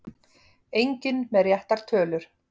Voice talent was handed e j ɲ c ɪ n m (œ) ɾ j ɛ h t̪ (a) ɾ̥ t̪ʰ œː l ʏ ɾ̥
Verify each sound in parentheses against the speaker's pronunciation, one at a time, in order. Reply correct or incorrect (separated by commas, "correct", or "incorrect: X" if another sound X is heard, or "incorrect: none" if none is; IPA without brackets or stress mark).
incorrect: ɛ, correct